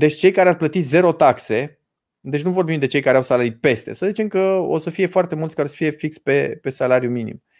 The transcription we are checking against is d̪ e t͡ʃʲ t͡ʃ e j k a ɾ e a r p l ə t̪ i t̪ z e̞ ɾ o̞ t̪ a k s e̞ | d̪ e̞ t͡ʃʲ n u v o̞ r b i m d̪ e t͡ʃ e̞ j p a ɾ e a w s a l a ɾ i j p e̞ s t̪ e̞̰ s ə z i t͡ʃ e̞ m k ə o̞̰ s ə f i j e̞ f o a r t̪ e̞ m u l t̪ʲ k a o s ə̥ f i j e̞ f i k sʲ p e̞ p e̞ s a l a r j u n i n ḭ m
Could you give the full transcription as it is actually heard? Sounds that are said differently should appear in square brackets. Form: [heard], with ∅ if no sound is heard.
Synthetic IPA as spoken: d̪ e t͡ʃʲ t͡ʃ e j k a ɾ e a r p l ə t̪ i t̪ z e̞ ɾ o̞ t̪ a k s e̞ | d̪ e̞ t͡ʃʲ n u v o̞ r b i m d̪ e t͡ʃ e̞ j [k] a ɾ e a w s a l a ɾ i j p e̞ s t̪ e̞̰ s ə z i t͡ʃ e̞ m k ə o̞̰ s ə f i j e̞ f o a r t̪ e̞ m u l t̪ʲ k a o s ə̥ f i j e̞ f i k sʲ p e̞ p e̞ s a l a [ɾ] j u [m] i n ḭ m